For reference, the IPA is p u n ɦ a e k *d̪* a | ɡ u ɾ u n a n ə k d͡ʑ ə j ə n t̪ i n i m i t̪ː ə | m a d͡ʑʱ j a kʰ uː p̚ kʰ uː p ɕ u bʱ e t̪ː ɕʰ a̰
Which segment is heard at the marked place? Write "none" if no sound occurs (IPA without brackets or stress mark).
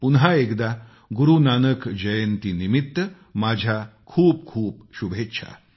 d̪